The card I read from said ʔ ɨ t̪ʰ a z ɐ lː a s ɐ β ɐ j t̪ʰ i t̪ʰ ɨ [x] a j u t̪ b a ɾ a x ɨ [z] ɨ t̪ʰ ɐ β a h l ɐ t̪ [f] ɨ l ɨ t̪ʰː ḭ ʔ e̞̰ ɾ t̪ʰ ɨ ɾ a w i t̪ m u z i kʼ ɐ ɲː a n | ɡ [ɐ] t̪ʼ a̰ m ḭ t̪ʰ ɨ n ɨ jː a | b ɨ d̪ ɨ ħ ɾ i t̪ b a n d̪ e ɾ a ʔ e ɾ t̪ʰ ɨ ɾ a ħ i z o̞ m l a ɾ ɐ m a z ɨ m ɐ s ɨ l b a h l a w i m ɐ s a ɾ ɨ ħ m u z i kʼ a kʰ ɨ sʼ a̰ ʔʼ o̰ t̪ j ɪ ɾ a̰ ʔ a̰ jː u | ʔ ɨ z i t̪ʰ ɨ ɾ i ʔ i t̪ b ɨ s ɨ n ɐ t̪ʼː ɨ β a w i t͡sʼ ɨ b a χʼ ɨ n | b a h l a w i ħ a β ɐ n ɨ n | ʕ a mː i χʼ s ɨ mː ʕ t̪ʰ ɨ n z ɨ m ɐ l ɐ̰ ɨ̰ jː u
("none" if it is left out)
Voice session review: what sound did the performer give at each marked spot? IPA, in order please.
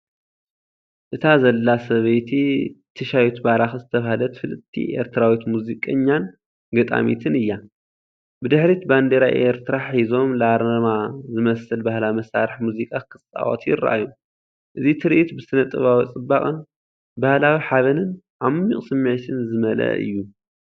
ʃ, z, f, ɐ

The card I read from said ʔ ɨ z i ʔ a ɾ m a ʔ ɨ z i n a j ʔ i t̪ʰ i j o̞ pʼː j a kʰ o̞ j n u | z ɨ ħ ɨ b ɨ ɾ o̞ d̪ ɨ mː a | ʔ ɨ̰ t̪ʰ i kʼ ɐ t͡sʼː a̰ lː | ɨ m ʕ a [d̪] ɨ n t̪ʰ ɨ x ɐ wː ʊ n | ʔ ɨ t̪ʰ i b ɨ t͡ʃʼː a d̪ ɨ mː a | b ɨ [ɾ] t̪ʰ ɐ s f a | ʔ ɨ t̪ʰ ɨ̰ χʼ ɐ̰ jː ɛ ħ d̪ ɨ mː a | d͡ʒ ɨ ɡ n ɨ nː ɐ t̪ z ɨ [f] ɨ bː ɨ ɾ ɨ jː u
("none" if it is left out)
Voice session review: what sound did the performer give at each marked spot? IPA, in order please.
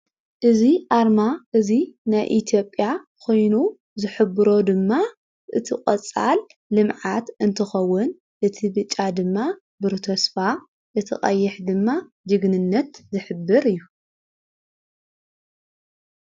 t̪, ɾ, ħ

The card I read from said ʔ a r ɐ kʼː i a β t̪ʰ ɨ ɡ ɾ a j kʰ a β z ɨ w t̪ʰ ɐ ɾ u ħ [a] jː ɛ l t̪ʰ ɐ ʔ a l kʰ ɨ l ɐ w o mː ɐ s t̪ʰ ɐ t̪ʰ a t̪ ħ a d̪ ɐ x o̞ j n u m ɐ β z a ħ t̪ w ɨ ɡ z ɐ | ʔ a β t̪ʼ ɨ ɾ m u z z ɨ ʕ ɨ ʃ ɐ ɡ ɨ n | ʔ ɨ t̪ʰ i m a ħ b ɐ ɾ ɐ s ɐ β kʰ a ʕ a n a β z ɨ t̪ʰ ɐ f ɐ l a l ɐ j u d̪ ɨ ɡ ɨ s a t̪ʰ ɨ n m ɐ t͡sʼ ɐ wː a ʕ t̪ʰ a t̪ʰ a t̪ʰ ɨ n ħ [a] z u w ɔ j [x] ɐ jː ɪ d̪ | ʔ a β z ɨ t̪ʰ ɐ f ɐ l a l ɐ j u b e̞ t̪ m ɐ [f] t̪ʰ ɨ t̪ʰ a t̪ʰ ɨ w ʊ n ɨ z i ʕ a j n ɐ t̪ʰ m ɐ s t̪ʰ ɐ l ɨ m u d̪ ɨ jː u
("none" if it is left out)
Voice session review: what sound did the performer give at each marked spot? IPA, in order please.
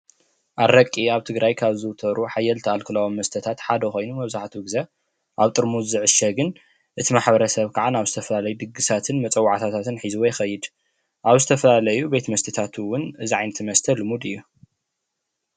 a, i, x, s

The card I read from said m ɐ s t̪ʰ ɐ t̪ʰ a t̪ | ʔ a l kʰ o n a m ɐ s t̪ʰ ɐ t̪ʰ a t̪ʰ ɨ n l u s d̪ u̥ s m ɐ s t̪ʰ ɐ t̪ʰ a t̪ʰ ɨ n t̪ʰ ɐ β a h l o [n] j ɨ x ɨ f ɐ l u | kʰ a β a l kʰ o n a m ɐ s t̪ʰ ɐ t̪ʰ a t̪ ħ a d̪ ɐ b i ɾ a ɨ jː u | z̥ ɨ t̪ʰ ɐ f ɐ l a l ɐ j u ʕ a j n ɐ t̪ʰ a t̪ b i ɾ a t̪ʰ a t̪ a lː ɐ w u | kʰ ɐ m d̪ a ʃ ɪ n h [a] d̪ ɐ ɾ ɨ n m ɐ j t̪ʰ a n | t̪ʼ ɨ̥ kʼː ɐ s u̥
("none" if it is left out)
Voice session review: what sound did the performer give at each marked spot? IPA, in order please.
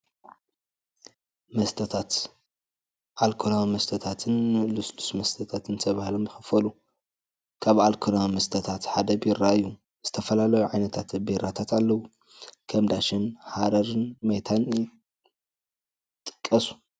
m, a

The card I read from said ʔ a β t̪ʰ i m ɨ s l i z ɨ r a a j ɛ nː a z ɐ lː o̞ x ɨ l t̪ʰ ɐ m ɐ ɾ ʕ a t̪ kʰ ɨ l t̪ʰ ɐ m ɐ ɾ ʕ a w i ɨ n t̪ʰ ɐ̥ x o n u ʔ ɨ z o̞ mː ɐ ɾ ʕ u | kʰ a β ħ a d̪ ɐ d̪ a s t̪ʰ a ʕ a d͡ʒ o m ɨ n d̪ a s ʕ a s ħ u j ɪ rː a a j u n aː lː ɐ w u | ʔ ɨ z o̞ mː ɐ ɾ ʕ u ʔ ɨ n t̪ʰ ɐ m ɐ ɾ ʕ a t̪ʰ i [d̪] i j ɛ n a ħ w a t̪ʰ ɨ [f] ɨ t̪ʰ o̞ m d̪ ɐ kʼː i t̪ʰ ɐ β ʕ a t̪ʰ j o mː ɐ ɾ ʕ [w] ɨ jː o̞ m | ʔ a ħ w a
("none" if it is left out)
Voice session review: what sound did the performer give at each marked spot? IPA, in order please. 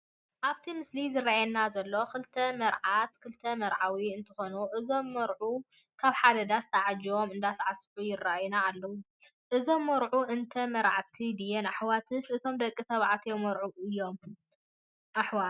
d̪, s, u

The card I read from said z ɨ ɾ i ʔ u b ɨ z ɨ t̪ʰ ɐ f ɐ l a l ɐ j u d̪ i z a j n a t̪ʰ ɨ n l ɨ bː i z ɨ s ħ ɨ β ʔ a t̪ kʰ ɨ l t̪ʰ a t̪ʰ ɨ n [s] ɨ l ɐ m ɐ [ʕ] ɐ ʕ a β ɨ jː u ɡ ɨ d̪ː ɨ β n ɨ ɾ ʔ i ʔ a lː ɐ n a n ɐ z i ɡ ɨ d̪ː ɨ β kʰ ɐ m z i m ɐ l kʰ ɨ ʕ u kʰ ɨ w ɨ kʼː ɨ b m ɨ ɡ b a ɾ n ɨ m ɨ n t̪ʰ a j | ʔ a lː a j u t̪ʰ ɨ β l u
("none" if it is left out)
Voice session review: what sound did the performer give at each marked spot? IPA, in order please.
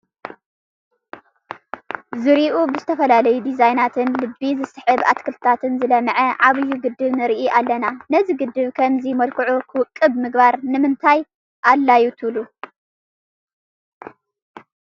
z, ʕ

